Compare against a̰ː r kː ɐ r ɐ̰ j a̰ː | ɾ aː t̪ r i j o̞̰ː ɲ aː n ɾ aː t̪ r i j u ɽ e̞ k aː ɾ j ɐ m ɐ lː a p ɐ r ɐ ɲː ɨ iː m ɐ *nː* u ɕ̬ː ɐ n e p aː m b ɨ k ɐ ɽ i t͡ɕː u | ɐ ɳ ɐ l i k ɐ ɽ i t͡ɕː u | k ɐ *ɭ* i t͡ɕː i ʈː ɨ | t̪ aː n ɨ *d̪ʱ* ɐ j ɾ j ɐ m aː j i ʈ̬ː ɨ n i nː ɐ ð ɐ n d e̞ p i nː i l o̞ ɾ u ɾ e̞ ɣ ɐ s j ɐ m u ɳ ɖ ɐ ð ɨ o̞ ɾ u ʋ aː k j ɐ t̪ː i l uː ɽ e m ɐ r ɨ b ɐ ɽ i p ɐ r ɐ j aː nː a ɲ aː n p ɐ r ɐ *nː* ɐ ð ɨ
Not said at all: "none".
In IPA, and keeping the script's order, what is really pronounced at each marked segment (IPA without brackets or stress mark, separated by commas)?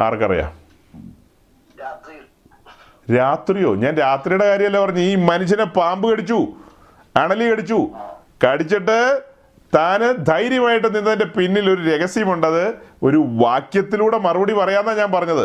n, ɽ, d̪ʱ, ɲː